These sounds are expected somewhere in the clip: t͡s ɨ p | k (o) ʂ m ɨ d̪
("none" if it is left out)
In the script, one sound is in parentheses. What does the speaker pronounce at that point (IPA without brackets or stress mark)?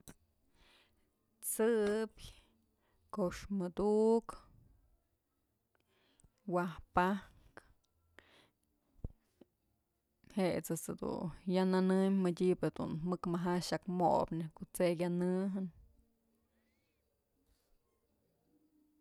o